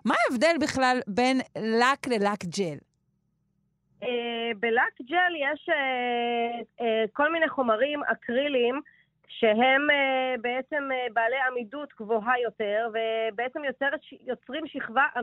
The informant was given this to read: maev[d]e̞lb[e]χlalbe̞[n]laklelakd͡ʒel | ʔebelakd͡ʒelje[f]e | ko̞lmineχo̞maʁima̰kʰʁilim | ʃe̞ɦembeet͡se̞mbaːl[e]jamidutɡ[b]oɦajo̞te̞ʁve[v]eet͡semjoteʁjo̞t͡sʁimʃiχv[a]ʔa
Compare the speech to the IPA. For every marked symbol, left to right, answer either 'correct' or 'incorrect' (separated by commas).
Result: correct, incorrect, correct, incorrect, correct, incorrect, incorrect, correct